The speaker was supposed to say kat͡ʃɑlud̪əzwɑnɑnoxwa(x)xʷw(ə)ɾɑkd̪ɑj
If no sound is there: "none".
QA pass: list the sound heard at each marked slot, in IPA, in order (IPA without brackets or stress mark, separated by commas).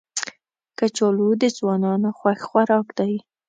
x, a